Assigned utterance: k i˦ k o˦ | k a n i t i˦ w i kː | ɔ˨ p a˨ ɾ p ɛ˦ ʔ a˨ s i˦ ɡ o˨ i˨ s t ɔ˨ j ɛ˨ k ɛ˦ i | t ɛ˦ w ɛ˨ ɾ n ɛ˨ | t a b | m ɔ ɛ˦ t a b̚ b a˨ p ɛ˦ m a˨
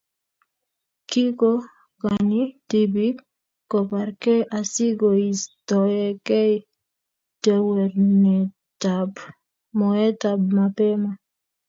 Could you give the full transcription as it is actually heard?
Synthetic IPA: k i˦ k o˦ | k a n i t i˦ b i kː | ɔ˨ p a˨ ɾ k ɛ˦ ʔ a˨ s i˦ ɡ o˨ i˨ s t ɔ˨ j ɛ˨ k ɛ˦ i | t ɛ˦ w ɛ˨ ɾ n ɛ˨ | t a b | m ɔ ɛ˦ t a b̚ m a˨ p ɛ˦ m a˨